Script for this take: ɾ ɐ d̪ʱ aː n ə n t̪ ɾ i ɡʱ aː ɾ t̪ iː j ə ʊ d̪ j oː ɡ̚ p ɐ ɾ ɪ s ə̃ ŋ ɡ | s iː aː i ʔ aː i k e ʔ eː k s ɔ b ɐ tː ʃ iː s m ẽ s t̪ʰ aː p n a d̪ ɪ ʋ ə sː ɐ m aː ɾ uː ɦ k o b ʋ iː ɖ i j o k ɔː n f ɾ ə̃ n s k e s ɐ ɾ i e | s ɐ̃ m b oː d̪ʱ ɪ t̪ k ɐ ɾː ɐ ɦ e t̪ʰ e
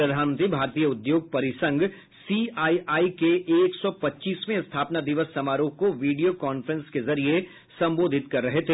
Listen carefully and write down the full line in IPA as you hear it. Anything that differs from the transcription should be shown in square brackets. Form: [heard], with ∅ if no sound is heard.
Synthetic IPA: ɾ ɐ d̪ʱ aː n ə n t̪ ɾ i [bʱ] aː ɾ t̪ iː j ə ʊ d̪ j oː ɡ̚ p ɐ ɾ ɪ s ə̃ ŋ ɡ | s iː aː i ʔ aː i k e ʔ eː k s ɔ [p] ɐ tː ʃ iː s m ẽ s t̪ʰ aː p n a d̪ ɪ ʋ ə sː ɐ m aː ɾ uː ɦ k o [∅] ʋ iː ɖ i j o k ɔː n f ɾ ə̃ n s k e [z] ɐ ɾ i e | s ɐ̃ m b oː d̪ʱ ɪ t̪ k ɐ ɾː ɐ ɦ e t̪ʰ e